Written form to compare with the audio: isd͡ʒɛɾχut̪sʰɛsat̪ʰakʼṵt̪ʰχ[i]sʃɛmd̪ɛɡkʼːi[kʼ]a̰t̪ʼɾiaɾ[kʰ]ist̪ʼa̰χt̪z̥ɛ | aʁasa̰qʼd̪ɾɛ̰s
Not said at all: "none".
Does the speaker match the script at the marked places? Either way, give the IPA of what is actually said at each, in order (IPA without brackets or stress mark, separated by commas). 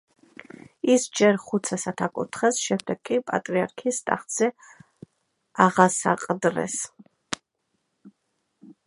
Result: ɛ, pʼ, kʰ